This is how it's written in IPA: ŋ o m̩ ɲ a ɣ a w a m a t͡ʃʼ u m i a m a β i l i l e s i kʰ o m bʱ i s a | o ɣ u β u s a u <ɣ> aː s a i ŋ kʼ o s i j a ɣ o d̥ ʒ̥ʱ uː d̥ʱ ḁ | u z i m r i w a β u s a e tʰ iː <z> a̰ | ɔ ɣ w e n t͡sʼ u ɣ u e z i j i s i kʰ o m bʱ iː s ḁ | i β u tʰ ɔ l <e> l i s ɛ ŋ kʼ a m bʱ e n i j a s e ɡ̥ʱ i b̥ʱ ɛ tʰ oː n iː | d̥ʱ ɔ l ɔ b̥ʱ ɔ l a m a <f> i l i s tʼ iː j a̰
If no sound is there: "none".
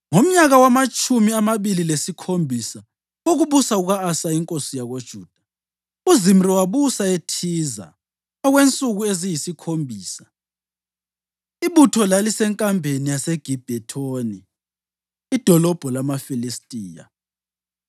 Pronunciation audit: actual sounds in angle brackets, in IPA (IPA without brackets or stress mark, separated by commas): ɣ, z, a, f